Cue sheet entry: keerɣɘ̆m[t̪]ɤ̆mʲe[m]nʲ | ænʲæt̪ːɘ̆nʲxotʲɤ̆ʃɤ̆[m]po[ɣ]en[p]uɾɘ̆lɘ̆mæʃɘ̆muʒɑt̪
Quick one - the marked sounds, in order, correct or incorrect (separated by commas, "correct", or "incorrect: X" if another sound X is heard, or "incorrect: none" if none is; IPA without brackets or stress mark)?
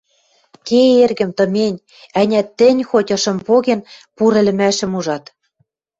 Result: correct, incorrect: none, correct, correct, correct